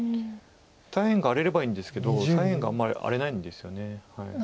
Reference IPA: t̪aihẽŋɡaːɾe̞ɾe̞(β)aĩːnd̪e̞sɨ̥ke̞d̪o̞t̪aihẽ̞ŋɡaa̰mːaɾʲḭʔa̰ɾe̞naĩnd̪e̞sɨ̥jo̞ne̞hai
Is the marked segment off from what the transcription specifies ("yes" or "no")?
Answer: yes